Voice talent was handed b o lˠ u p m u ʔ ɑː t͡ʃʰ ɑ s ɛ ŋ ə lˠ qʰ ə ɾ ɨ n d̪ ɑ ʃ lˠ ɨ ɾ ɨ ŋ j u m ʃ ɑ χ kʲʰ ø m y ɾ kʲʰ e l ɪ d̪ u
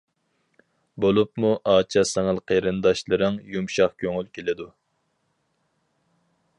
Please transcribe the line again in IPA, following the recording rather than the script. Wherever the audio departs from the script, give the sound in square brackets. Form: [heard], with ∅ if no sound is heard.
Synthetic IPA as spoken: b o lˠ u p m u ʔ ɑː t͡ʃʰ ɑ s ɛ ŋ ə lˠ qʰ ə ɾ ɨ n d̪ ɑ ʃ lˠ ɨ ɾ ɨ ŋ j u m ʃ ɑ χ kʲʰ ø [ŋ] y [l] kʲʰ e l ɪ d̪ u